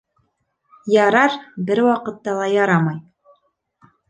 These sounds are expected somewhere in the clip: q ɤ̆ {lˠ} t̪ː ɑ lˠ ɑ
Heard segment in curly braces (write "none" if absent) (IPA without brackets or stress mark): none